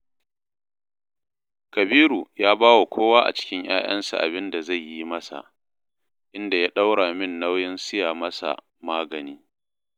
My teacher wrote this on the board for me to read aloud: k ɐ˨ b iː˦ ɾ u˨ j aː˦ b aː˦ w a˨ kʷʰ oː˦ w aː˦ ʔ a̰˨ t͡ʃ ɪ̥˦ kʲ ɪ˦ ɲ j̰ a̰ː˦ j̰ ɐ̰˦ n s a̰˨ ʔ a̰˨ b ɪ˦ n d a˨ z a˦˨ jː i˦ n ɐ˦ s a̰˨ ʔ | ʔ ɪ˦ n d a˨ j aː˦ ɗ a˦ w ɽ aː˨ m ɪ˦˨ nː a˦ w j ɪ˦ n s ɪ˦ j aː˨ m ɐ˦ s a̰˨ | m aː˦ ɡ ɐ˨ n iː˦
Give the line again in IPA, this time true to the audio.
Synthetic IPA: k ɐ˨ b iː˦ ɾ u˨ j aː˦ b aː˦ w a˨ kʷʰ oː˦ w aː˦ ʔ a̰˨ t͡ʃ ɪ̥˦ kʲ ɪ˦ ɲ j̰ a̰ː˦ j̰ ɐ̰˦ n s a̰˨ ʔ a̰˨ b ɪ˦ n d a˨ z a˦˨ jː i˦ m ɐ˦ s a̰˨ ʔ | ʔ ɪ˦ n d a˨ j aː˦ ɗ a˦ w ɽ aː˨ m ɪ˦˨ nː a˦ w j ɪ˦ n s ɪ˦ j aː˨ m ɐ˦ s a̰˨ | m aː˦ ɡ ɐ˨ n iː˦